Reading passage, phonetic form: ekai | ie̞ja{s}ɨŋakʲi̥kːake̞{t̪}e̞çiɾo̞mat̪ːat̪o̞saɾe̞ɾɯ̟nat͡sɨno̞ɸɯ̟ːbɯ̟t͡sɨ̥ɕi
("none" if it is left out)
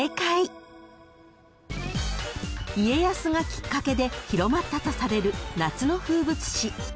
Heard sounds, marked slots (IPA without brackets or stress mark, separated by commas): s, d̪